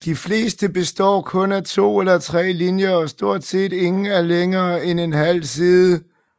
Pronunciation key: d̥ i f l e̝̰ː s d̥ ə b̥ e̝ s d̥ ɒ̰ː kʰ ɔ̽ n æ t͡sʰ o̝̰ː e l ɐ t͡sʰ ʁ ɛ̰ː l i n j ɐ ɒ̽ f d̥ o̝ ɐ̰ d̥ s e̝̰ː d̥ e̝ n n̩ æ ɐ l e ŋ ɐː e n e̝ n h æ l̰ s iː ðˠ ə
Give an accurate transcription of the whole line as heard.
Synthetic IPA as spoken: d̥ i f l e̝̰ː s d̥ ə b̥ e̝ s d̥ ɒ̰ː kʰ ɔ̽ n æ t͡sʰ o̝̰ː e l ɐ t͡sʰ ʁ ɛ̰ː l i n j ɐ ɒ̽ s d̥ o̝ ɐ̰ d̥ s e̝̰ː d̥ e̝ ŋ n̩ æ ɐ l e ŋ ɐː e n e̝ n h æ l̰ s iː ðˠ ə